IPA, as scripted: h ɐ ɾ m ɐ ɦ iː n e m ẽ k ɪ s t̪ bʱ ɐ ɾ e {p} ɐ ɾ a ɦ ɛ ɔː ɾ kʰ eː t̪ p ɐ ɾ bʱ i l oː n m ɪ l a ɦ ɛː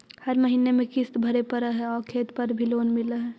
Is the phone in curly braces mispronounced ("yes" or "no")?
no